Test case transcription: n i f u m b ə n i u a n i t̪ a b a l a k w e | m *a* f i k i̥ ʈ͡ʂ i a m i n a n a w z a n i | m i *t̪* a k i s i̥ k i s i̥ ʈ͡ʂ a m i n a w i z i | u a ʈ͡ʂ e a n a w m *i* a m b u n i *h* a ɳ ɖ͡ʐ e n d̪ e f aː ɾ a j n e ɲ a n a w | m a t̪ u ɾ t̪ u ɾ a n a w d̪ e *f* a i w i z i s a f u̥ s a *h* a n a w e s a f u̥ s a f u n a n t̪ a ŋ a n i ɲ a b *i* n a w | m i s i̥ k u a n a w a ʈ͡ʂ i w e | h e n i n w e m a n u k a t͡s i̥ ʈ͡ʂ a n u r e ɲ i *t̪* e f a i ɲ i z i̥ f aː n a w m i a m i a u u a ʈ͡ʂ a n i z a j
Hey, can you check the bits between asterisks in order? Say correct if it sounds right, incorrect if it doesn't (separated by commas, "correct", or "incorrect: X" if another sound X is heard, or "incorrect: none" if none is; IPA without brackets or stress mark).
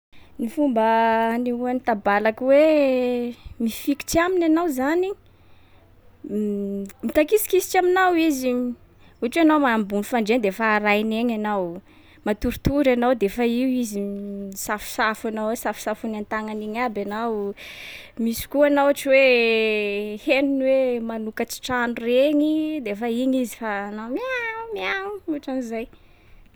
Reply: incorrect: i, correct, incorrect: a, incorrect: f, correct, incorrect: f, incorrect: a, incorrect: d̪